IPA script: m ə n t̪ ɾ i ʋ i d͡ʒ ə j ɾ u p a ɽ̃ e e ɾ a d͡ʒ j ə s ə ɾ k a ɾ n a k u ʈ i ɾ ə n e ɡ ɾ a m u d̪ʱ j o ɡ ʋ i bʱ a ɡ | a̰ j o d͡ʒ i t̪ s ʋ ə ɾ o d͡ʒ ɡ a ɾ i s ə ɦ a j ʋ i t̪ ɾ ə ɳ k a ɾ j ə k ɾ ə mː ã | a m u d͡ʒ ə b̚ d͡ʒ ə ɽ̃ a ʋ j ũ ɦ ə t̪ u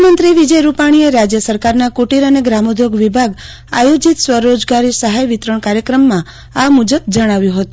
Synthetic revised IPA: m ə n t̪ ɾ i ʋ i d͡ʒ ə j ɾ u p a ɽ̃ i e ɾ a d͡ʒ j ə s ə ɾ k a ɾ n a k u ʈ i ɾ ə n e ɡ ɾ a m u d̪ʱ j o ɡ ʋ i bʱ a ɡ | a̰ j o d͡ʒ i t̪ s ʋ ə ɾ o d͡ʒ ɡ a ɾ i s ə ɦ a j ʋ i t̪ ɾ ə ɳ k a ɾ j ə k ɾ ə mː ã | a m u d͡ʒ ə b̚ d͡ʒ ə ɽ̃ a ʋ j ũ ɦ ə t̪ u